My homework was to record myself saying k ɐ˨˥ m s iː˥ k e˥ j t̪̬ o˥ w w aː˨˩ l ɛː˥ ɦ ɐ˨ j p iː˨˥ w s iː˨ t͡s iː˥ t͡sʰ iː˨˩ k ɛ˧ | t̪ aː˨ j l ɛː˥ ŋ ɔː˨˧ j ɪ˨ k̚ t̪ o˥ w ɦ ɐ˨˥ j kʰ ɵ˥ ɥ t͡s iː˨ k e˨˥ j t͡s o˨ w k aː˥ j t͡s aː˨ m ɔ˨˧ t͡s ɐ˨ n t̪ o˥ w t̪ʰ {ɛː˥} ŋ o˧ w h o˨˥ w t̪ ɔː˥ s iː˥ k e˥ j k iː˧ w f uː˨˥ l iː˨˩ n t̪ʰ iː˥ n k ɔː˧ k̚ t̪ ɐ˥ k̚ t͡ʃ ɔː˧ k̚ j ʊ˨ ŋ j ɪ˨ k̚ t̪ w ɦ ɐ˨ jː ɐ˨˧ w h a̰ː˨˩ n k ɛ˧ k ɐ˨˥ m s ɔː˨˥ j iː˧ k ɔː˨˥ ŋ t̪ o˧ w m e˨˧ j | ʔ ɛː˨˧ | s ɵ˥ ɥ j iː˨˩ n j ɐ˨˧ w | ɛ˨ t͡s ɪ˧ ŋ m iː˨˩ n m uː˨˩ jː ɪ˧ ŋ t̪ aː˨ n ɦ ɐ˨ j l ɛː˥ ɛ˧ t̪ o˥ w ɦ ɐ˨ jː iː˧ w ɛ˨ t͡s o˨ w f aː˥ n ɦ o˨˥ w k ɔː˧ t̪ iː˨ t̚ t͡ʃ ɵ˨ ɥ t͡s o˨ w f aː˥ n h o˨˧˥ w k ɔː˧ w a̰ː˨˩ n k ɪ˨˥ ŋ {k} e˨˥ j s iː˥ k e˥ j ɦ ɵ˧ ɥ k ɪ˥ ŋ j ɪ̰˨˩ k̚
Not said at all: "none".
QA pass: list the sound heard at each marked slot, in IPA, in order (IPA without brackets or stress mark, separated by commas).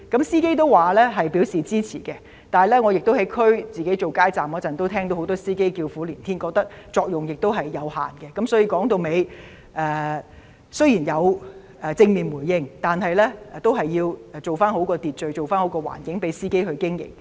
ɛː˥, p